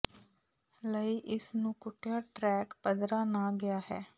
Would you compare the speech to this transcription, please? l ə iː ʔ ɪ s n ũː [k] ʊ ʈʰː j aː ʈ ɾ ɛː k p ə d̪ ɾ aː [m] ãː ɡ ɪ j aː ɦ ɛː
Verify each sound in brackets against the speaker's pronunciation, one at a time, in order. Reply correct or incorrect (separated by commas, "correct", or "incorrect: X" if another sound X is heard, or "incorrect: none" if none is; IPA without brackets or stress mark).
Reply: correct, incorrect: n